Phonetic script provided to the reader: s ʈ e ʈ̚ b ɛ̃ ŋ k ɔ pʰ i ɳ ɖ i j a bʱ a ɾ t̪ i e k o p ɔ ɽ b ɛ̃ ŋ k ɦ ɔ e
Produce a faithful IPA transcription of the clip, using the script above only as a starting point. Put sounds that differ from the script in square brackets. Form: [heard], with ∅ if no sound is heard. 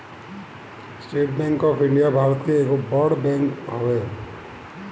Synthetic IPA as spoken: s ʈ e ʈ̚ b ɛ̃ ŋ k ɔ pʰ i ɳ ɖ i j a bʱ a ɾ t̪ i e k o [b] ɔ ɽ b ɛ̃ ŋ k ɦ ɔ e